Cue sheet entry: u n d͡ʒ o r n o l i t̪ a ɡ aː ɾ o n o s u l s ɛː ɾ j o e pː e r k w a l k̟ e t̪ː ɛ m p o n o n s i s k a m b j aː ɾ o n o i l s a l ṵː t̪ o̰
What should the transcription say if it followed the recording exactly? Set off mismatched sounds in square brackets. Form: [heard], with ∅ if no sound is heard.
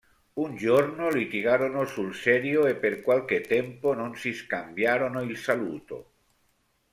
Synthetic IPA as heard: u n d͡ʒ o r n o l i t̪ [i] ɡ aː ɾ o n o s u l s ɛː ɾ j o e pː e r k w a l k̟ e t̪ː ɛ m p o n o n s i s k a m b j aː ɾ o n o i l s a l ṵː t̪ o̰